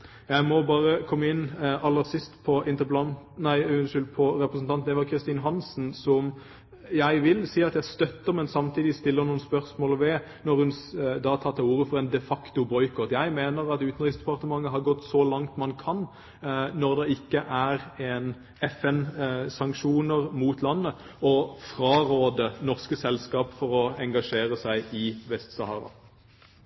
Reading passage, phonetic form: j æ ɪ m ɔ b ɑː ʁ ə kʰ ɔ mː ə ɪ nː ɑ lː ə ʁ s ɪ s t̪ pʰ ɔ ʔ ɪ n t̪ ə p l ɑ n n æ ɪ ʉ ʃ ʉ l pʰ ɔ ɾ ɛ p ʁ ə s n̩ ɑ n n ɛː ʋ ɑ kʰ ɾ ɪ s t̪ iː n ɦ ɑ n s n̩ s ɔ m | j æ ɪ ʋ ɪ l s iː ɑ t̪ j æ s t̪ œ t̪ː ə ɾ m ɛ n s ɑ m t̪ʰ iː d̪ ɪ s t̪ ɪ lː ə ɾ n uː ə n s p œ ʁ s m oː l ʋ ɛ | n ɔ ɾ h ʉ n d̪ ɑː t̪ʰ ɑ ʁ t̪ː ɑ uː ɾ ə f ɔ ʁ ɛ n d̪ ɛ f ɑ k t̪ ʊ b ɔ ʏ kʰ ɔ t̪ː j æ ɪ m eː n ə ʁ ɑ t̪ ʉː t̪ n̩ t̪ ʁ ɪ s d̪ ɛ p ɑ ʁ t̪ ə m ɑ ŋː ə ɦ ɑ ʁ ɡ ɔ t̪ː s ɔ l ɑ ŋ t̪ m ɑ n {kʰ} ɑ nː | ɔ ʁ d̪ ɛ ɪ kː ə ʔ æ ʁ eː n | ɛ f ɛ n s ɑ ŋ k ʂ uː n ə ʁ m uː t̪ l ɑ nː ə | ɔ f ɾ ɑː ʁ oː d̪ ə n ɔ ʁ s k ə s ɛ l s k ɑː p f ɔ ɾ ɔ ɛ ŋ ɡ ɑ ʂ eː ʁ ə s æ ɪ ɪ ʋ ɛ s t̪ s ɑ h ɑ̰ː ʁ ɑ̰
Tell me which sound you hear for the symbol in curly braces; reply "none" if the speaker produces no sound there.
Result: kʰ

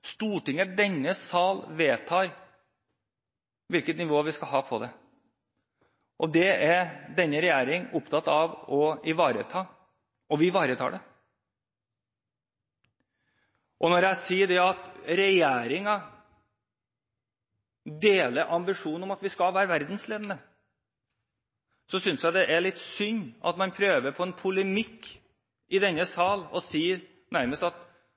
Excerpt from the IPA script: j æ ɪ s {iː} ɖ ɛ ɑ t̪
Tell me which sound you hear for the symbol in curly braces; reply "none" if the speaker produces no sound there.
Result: iː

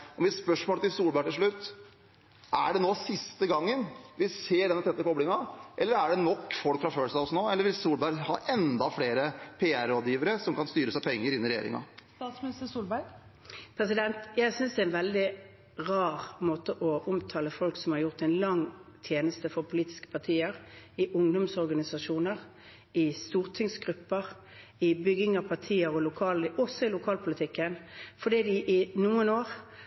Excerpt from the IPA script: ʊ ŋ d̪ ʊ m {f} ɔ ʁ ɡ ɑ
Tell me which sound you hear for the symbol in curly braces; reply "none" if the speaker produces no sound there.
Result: s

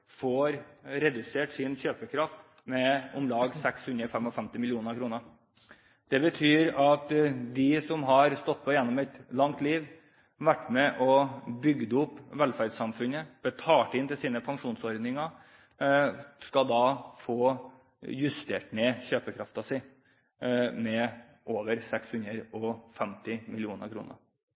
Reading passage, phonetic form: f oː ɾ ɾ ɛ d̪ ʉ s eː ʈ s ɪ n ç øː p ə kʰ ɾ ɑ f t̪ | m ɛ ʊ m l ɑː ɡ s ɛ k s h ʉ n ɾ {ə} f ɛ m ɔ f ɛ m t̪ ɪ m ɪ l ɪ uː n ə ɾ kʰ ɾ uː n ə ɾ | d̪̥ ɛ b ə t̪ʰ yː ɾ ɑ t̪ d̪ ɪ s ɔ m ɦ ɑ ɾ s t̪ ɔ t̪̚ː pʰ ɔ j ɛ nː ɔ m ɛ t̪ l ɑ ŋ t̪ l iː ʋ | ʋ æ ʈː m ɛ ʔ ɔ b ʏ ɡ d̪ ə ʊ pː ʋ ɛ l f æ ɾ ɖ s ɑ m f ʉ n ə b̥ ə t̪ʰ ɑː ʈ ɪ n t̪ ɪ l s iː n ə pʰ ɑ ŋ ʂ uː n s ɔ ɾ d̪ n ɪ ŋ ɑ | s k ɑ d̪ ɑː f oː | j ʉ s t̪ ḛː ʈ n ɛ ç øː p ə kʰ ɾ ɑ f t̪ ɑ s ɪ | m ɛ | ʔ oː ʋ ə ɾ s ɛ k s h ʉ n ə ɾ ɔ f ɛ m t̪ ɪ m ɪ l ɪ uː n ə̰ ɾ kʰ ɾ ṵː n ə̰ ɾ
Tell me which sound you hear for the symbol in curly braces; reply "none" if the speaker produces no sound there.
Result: ə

